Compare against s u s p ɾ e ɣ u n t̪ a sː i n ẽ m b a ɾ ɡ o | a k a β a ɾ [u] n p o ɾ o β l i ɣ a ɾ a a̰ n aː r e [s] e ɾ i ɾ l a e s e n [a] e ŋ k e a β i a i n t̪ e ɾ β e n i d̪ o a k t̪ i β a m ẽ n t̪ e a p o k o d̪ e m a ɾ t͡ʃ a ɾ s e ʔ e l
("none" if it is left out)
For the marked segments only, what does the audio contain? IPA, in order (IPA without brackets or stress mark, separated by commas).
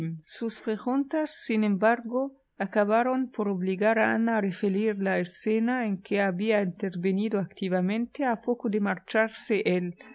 o, f, a